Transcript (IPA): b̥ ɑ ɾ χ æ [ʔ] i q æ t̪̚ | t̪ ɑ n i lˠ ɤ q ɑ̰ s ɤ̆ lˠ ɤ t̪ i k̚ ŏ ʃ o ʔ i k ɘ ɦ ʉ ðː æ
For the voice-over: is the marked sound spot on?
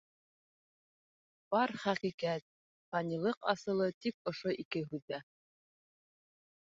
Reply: no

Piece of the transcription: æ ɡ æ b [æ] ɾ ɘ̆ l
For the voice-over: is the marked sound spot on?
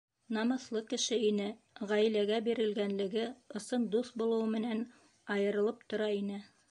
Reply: no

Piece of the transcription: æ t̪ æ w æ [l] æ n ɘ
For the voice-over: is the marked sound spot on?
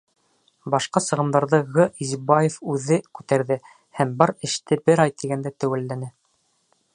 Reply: no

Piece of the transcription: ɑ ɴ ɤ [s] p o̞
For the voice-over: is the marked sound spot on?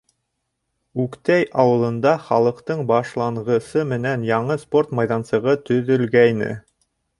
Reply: yes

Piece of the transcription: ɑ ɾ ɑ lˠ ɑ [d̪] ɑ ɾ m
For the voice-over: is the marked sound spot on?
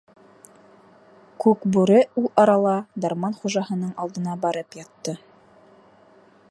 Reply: yes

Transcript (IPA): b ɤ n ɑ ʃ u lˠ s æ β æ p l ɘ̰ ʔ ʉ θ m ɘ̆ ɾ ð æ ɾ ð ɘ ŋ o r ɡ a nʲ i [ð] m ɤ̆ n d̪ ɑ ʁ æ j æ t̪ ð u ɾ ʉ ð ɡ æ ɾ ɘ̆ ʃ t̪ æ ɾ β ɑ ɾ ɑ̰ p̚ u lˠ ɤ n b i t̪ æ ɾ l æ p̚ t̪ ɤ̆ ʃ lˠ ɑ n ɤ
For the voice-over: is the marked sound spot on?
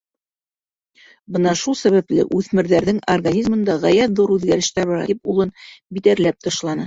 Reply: no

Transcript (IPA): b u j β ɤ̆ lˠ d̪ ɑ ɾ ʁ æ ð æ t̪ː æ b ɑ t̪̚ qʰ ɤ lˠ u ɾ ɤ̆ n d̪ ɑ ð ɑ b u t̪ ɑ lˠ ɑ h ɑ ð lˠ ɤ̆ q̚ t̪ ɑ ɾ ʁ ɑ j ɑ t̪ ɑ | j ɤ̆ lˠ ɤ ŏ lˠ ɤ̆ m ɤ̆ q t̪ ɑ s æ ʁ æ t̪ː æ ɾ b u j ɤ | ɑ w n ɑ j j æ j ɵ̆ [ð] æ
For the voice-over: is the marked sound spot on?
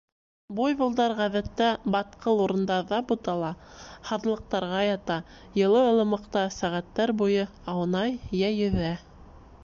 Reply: yes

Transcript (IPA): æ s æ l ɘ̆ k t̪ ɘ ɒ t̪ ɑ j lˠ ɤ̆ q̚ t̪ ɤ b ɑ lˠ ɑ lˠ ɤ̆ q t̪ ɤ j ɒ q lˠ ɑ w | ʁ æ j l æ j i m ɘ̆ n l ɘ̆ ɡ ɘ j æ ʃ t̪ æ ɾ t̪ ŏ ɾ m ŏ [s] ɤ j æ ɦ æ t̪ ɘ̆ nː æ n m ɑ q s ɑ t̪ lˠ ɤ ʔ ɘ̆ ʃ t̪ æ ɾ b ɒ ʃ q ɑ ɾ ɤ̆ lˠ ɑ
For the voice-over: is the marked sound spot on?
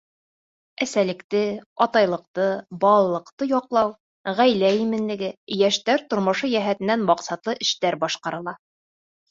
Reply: no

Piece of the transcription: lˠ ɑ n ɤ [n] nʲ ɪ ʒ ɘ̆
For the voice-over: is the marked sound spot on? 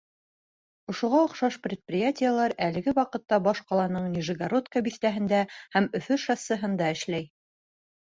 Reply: no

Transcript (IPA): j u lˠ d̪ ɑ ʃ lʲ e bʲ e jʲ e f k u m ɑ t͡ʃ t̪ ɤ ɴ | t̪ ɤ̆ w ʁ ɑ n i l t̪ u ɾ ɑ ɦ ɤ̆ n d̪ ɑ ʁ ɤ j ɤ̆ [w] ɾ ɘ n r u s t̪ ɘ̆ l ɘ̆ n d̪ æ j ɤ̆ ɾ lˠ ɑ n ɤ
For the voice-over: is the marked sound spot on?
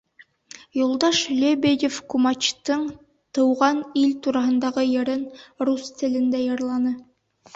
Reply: no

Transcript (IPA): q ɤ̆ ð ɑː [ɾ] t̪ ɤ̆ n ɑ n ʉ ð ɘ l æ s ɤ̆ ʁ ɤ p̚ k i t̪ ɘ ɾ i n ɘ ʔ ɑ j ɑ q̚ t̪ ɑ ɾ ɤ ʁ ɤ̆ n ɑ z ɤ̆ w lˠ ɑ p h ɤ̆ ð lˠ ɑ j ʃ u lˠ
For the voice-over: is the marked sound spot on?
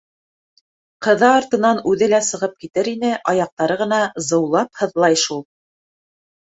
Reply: yes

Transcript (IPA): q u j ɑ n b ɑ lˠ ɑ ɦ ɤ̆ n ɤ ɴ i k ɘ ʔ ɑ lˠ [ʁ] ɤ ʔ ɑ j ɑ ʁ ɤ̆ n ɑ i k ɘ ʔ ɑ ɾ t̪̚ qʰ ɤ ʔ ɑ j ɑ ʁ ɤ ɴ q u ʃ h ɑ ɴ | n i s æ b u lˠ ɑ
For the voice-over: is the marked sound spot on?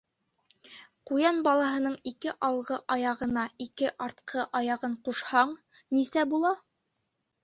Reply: yes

